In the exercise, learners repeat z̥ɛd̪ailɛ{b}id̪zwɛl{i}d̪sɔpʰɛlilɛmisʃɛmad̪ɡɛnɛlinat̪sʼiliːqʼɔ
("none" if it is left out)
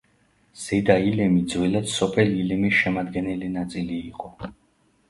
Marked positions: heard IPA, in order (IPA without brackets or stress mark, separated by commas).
m, a